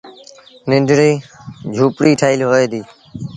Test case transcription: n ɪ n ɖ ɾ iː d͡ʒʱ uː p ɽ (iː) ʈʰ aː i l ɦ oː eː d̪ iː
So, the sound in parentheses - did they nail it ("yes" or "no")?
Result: yes